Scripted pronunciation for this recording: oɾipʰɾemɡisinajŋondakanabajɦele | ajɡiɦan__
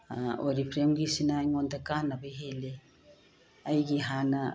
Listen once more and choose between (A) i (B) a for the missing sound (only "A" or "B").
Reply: B